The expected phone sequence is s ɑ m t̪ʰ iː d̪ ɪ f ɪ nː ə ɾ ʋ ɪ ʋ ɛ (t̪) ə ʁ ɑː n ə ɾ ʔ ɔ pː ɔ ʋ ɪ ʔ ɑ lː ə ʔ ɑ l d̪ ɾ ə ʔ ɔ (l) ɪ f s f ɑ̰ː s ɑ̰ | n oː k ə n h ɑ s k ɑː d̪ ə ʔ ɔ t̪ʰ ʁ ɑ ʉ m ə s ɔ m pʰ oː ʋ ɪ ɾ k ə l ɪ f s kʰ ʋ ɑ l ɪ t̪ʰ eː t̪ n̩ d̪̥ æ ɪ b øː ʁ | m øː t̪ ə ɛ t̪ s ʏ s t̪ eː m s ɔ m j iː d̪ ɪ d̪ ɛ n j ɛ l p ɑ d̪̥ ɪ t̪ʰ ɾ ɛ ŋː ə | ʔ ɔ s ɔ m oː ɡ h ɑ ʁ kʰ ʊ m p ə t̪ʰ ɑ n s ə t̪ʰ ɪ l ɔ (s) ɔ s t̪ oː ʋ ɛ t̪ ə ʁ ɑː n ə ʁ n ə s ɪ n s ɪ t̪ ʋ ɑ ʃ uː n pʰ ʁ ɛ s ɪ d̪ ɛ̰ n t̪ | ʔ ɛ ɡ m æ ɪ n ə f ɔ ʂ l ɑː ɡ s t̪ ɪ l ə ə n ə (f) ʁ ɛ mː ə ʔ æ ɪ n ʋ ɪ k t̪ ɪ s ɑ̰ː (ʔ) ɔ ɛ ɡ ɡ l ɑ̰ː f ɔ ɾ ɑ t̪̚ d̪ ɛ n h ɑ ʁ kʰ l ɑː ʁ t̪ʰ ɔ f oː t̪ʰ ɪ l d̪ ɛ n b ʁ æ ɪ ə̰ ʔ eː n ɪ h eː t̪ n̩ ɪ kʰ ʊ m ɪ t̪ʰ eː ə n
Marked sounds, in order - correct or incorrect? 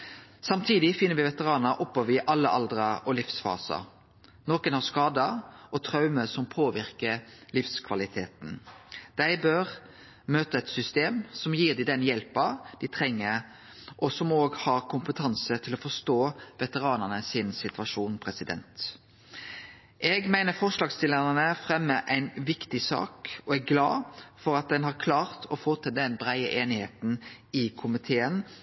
correct, correct, incorrect, correct, incorrect

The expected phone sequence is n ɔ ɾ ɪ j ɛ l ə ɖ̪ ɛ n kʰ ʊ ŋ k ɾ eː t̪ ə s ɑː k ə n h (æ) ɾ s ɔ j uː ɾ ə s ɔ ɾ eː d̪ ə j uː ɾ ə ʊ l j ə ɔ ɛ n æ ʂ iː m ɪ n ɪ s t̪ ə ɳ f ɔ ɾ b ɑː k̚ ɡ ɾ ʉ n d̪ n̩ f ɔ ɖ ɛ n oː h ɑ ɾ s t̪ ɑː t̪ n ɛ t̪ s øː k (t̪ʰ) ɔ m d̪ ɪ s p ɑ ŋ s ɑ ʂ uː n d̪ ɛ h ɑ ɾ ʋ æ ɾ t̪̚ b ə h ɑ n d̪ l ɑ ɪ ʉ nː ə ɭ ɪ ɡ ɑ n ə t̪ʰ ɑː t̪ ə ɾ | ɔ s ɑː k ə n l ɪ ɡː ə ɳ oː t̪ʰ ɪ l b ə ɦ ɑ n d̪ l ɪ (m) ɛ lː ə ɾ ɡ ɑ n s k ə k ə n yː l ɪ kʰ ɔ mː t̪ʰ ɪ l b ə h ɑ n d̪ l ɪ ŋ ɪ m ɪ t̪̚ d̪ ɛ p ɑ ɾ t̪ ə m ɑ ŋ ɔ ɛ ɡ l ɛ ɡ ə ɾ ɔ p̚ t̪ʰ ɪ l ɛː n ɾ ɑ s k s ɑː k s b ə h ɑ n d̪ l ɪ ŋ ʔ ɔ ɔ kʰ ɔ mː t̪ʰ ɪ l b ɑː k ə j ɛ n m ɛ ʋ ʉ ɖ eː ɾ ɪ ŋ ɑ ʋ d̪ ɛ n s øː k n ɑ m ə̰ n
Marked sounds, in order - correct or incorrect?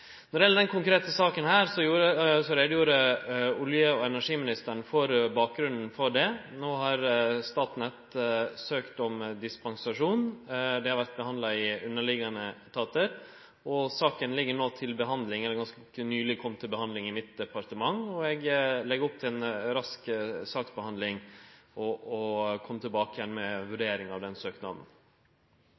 incorrect, incorrect, incorrect

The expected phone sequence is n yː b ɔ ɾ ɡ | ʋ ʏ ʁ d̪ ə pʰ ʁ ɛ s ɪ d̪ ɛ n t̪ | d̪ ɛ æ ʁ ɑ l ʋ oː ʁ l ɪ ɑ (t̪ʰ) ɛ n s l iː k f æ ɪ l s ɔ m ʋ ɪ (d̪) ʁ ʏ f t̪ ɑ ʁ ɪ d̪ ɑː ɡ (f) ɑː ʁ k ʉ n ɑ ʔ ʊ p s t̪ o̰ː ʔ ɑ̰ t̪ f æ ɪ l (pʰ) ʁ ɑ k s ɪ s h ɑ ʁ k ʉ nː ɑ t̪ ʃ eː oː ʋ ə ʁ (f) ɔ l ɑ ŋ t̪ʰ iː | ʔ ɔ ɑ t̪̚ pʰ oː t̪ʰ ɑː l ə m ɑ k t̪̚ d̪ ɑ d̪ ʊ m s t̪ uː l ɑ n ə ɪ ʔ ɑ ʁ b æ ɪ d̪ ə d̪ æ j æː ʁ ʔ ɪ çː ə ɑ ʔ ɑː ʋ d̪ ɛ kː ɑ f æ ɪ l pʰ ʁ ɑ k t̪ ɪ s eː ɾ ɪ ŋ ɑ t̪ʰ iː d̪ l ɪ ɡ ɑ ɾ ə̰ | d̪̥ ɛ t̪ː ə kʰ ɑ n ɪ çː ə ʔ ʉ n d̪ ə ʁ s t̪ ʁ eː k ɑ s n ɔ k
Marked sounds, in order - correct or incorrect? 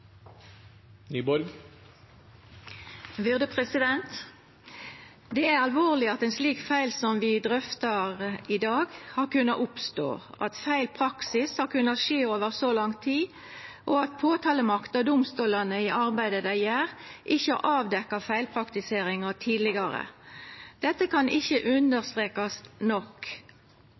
incorrect, correct, incorrect, correct, incorrect

